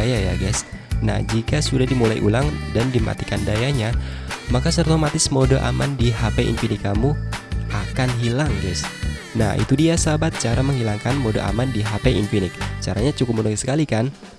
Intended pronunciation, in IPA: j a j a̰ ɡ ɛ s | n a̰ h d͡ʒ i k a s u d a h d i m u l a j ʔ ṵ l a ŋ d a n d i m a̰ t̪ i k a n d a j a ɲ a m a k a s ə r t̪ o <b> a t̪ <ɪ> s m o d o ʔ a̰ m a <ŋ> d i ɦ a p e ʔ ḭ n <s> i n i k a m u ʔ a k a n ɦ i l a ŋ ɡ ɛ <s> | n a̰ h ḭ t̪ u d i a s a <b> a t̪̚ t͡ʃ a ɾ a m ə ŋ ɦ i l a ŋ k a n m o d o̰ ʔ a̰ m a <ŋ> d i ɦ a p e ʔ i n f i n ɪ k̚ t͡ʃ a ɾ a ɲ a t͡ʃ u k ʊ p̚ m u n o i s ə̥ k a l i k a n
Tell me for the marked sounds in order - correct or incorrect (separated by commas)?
incorrect, correct, incorrect, incorrect, correct, correct, incorrect